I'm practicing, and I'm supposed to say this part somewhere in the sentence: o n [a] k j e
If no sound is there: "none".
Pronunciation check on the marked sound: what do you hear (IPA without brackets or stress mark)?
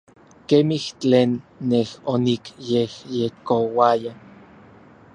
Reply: i